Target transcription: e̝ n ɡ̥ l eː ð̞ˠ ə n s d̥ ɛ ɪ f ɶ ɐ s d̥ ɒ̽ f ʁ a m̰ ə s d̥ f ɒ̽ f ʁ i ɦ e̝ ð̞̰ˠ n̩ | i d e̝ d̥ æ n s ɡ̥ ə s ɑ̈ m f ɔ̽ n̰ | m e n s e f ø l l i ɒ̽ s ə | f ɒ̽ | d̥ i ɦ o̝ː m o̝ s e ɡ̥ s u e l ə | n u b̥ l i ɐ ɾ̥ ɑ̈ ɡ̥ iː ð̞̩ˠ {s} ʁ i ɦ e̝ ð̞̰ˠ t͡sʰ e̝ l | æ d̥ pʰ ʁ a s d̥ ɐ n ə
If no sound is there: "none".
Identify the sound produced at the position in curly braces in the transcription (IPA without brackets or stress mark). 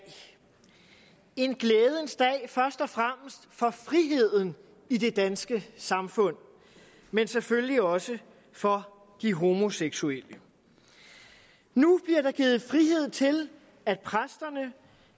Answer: f